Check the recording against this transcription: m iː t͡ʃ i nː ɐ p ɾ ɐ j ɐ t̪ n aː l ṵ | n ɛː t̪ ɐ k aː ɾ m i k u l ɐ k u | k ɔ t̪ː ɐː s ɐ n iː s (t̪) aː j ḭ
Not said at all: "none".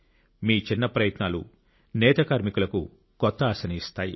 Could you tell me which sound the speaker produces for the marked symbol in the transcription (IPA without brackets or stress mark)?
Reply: t̪